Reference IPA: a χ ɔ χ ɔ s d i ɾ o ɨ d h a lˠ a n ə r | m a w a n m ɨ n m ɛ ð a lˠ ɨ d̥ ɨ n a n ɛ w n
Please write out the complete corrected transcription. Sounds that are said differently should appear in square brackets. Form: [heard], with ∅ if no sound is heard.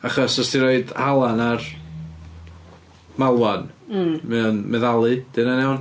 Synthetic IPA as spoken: a χ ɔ [s] ɔ s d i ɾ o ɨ d h a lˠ a n [a] r | m a w a n m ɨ n m ɛ ð a lˠ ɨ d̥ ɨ n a n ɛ w n